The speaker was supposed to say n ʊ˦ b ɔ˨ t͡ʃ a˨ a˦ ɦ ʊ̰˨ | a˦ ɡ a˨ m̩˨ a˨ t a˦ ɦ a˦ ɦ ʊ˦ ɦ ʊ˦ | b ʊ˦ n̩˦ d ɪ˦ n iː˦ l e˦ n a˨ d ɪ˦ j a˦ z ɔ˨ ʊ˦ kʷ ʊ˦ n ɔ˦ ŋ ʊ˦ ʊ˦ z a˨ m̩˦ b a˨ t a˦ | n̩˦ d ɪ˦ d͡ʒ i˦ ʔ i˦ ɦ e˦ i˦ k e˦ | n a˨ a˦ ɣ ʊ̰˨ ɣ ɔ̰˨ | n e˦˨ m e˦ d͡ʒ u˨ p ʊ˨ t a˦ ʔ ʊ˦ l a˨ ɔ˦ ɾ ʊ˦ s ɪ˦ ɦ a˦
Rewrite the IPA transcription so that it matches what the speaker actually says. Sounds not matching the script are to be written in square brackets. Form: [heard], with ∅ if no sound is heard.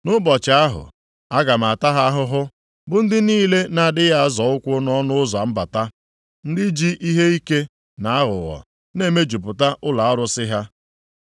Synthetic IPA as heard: n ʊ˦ b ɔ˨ t͡ʃ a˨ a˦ ɦ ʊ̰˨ | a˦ ɡ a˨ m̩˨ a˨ t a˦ ɦ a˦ ɦ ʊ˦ ɦ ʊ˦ | b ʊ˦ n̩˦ d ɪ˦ n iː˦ l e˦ n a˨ d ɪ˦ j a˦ z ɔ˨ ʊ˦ kʷ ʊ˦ n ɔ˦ [n] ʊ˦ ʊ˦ z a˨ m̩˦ b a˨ t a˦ | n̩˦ d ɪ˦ d͡ʒ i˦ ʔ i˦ ɦ e˦ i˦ k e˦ | n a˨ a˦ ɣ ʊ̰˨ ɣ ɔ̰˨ | n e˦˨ m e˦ d͡ʒ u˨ p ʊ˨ t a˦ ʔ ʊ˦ l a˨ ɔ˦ ɾ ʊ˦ s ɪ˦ ɦ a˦